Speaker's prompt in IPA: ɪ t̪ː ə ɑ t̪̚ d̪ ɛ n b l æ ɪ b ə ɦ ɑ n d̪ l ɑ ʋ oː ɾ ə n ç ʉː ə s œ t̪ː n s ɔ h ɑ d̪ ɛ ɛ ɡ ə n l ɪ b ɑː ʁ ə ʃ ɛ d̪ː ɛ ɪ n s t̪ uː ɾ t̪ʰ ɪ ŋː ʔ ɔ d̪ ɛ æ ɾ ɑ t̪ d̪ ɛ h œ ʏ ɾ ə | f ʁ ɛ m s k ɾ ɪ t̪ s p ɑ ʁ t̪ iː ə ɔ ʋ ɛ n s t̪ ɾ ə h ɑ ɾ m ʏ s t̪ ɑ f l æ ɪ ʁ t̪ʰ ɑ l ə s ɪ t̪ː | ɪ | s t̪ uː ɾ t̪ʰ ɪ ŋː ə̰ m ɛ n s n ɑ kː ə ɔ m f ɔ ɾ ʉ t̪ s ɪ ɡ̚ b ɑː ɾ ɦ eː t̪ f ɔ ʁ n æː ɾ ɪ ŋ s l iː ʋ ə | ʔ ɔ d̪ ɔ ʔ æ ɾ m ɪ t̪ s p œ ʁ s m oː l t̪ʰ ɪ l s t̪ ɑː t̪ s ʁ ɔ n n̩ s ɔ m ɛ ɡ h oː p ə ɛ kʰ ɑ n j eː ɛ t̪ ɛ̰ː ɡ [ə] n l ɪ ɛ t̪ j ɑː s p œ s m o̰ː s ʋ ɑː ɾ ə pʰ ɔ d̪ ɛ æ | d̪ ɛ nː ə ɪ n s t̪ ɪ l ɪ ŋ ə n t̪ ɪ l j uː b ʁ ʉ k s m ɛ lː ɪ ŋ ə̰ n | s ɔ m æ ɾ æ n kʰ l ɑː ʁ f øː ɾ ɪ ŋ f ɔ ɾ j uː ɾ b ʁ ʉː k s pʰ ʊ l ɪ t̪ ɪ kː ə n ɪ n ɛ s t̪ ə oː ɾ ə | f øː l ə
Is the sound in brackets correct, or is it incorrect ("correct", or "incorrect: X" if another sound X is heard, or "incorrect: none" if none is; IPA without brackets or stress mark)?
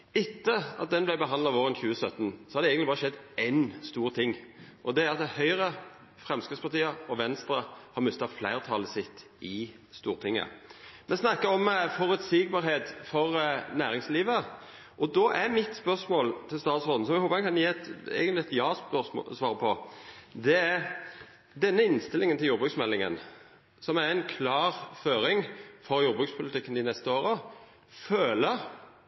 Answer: correct